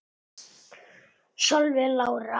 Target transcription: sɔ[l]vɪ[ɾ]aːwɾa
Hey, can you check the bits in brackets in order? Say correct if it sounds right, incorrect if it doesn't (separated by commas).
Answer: correct, incorrect